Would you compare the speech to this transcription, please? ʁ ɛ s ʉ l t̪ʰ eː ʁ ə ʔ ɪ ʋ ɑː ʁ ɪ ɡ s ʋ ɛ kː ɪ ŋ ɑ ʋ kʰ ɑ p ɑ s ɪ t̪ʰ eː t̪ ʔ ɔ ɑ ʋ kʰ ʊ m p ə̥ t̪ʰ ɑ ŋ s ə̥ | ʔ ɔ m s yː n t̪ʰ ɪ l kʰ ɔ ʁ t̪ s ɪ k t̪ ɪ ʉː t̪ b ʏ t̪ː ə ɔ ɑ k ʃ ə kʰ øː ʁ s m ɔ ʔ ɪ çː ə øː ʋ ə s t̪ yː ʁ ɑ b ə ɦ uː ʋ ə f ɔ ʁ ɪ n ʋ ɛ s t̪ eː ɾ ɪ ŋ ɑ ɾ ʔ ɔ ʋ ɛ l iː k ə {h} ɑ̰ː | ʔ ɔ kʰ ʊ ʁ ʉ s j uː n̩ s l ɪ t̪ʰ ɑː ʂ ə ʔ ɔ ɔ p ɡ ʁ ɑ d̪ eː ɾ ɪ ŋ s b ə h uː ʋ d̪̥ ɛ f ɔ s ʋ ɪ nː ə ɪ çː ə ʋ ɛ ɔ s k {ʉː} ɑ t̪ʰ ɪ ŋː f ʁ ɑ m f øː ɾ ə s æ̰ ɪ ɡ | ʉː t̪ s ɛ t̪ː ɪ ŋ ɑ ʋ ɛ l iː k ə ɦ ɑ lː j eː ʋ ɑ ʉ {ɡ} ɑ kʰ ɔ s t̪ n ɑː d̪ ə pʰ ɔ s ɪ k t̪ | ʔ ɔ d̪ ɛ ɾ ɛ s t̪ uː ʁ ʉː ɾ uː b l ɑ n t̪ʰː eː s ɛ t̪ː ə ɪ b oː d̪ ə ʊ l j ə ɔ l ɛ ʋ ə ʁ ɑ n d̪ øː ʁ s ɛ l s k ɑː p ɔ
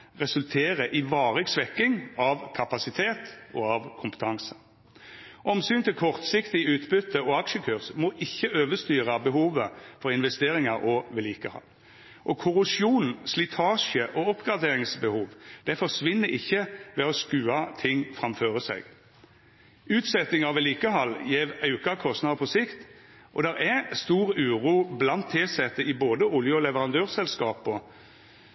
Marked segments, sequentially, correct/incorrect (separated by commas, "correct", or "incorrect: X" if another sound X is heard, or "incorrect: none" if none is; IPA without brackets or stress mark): correct, correct, incorrect: k